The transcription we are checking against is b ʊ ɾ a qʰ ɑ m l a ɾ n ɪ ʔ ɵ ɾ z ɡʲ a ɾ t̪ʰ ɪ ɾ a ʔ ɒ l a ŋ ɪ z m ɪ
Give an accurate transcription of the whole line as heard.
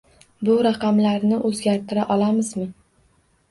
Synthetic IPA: b ʊ ɾ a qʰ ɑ m l a ɾ n ɪ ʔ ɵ z ɡʲ a ɾ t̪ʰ ɪ ɾ a ʔ ɒ l a m ɪ z m ɪ

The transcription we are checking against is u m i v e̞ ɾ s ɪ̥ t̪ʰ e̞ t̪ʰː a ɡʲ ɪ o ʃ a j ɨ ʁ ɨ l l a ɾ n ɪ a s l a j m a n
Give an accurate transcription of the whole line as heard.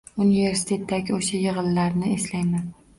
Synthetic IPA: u n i v e̞ ɾ s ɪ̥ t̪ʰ e̞ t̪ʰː a ɡʲ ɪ o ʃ a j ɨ ʁ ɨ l l a ɾ n ɪ e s l a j m a n

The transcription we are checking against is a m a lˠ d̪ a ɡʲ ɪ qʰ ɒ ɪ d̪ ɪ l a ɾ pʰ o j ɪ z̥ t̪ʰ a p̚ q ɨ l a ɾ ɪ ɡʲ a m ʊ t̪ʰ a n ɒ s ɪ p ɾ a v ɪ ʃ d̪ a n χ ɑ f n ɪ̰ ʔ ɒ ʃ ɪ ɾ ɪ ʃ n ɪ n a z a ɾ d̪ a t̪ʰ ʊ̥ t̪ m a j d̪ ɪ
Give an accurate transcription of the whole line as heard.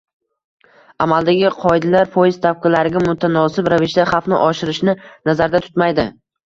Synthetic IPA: a m a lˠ d̪ a ɡʲ ɪ qʰ ɒ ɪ d̪ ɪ l a ɾ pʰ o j ɪ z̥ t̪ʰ a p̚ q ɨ l a ɾ ɪ ɡʲ a m ʊ t̪ʰ a n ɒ s ɪ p ɾ a v ɪ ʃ d̪ a χ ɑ f n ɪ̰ ʔ ɒ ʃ ɪ ɾ ɪ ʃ n ɪ n a z a ɾ d̪ a t̪ʰ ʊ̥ t̪ m a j d̪ ɪ

